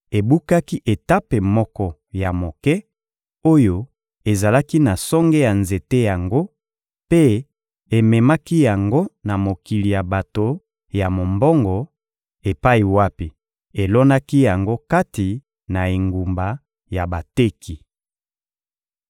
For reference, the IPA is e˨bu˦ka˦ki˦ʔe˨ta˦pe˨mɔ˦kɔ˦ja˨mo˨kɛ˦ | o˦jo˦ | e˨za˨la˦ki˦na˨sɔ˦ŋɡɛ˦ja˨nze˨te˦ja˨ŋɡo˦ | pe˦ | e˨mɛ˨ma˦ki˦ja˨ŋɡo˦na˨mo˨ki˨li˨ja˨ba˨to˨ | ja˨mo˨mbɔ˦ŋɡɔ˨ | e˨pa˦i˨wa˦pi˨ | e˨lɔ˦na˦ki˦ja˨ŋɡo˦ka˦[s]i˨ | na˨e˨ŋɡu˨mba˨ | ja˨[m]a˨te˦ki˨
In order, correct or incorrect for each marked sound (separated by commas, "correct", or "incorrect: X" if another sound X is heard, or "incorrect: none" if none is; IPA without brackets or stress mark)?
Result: incorrect: t, incorrect: b